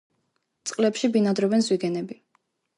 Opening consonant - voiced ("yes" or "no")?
no